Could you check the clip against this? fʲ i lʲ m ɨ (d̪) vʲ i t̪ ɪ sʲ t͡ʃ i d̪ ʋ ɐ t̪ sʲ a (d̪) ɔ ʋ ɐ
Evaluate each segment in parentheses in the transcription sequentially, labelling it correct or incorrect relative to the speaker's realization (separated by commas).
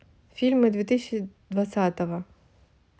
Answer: correct, incorrect